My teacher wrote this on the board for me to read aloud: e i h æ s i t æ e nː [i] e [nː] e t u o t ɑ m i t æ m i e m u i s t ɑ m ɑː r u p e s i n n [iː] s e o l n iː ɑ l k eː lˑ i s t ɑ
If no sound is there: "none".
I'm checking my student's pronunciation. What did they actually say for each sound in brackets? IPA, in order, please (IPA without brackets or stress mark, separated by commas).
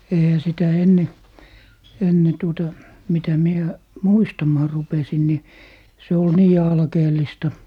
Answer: e, nː, i